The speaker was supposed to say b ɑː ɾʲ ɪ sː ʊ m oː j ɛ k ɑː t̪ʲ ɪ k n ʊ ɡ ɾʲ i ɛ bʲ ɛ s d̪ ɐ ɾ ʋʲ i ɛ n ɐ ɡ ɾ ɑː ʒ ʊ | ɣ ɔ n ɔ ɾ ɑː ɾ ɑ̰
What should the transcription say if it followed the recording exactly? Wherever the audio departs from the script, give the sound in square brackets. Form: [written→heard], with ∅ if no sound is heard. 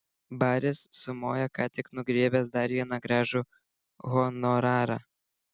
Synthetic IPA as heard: b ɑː ɾʲ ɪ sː ʊ m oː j ɛ k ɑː t̪ʲ ɪ k n ʊ ɡ ɾʲ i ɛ bʲ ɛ s d̪ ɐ ɾ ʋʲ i ɛ n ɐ ɡ ɾ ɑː ʒ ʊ | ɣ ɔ n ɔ ɾ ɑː ɾ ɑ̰